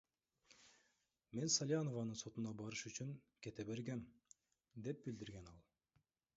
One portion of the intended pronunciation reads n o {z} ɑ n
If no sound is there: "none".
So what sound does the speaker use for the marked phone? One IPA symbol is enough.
v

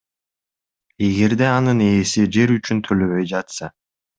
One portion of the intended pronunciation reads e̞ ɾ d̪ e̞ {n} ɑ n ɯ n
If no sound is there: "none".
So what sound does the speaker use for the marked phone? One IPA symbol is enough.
none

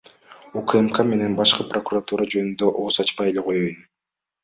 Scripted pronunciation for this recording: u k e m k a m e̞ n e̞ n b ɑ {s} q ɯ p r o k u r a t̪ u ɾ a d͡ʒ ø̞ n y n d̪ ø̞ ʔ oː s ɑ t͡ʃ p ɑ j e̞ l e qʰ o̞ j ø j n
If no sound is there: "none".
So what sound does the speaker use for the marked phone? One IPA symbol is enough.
ʃ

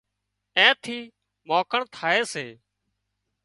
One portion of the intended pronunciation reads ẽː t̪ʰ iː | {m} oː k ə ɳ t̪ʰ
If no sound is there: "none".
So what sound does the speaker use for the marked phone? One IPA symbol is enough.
m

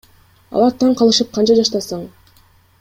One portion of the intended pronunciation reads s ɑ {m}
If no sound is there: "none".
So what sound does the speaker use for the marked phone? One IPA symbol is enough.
ɴ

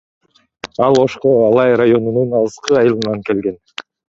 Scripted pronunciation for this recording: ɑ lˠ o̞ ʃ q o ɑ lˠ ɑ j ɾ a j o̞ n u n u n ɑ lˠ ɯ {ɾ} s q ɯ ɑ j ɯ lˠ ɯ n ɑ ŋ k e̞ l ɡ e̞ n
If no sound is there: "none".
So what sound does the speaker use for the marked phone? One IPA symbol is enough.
none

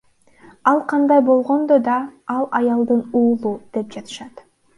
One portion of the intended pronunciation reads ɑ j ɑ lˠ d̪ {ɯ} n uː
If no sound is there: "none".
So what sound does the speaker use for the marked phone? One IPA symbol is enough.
ɯ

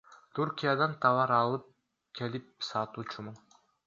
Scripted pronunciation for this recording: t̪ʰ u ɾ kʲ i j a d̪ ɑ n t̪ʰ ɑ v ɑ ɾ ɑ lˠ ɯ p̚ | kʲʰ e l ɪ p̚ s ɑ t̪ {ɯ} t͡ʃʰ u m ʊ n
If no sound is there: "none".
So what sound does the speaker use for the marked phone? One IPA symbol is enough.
u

